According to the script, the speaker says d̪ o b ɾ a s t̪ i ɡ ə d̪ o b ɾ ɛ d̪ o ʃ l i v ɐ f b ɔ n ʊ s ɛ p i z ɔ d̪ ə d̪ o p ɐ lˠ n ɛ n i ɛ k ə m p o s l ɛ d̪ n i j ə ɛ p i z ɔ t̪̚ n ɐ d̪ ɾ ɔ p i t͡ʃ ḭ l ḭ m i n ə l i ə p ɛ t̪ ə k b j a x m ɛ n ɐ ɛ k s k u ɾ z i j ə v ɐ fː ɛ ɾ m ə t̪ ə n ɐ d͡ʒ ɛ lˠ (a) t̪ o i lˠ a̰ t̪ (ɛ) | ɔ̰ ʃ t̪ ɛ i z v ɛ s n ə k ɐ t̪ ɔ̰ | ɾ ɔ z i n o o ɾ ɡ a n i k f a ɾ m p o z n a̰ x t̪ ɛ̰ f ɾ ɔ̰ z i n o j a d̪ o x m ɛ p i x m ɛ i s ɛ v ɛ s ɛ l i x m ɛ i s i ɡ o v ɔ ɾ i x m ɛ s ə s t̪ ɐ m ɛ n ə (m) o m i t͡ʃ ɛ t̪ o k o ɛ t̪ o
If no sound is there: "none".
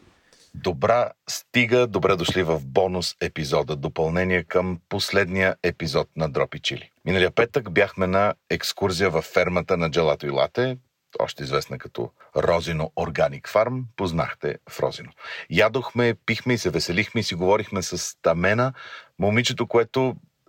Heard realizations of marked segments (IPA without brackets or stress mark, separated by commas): a, ɛ, m